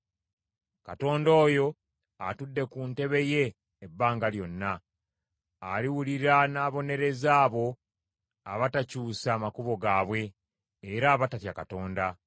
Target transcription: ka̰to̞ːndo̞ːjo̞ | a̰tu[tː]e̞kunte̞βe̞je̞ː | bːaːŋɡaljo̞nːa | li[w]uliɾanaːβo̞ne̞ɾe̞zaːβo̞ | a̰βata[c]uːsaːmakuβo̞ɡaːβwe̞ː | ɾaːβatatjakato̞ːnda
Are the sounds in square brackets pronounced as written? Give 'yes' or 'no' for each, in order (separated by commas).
no, yes, yes